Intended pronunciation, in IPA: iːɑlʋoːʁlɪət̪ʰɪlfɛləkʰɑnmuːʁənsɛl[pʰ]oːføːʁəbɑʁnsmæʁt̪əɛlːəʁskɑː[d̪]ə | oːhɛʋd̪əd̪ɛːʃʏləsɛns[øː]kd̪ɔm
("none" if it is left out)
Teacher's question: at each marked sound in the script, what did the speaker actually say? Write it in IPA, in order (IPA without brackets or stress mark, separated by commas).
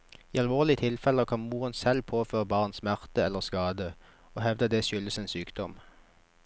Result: pʰ, d̪, yː